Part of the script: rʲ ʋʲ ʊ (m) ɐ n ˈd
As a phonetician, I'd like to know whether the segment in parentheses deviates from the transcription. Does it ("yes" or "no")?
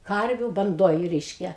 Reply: yes